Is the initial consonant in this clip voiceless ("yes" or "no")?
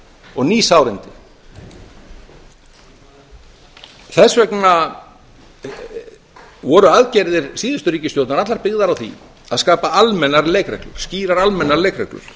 no